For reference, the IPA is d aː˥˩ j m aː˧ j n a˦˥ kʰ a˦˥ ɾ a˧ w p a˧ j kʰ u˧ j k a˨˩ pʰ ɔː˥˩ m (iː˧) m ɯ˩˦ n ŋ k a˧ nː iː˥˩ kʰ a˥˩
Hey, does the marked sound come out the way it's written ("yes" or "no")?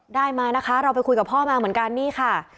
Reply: no